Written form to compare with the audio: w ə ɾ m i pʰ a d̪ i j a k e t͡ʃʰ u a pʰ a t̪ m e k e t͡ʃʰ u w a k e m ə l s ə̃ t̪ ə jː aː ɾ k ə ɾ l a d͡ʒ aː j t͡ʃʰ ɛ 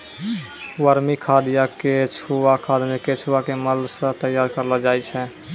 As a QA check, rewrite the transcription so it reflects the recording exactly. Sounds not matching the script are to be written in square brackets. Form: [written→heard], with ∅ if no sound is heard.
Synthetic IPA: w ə ɾ m i [pʰ→kʰ] a d̪ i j a k e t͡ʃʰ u a [pʰ→kʰ] a [t̪→d̪] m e k e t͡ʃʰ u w a k e m ə l s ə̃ t̪ ə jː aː ɾ k ə ɾ l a d͡ʒ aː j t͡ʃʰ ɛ